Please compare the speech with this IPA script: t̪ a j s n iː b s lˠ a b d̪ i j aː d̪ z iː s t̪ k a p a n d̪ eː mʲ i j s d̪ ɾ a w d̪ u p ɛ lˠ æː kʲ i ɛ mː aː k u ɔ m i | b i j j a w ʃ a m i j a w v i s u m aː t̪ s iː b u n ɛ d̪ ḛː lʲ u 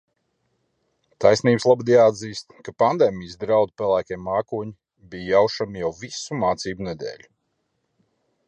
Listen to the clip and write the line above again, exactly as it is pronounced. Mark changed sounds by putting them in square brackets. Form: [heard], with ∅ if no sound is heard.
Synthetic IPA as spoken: t̪ a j s n iː b s lˠ a b d̪ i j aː d̪ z iː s t̪ k a p a n d̪ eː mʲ i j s d̪ ɾ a w d̪ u p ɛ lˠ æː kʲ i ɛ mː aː k u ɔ [ɲ] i | b i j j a w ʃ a m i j a w v i s u m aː t̪ s iː b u n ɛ d̪ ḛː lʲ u